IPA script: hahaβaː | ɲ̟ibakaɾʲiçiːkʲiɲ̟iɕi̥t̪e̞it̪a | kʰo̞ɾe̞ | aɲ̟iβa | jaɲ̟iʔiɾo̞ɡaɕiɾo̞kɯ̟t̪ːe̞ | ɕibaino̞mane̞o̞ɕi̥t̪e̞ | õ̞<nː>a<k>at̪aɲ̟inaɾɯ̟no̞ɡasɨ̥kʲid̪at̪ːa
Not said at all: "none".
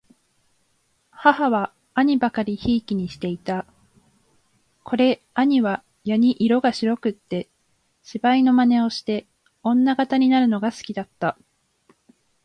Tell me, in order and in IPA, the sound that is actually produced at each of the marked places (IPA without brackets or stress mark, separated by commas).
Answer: nː, ɡ